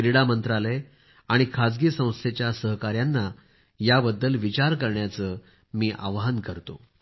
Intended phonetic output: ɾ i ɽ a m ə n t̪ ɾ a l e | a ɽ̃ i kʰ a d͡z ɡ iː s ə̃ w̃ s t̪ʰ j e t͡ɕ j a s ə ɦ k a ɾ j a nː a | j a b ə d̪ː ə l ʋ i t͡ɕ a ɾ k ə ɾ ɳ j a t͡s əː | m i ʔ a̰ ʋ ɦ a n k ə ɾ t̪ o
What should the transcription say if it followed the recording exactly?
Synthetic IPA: ɾ i ɽ a m ə n t̪ ɾ a l e | a ɽ̃ i kʰ a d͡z ɡ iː s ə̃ w̃ s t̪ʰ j e t͡ɕ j a s ə ɦ k a ɾ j a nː a | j a b ə d̪ː ə l ʋ i t͡ɕ a ɾ k ə ɾ ɳ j a t͡s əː | m iː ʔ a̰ ʋ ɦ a n k ə ɾ t̪ o